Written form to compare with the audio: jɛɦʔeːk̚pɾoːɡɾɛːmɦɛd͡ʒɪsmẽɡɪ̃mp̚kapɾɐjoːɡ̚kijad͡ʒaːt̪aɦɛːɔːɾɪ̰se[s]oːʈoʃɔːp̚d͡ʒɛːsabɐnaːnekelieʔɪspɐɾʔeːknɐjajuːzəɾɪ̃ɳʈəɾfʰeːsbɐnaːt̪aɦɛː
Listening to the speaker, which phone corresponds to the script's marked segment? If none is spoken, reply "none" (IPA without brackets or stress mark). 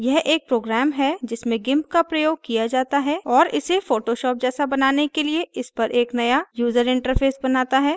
f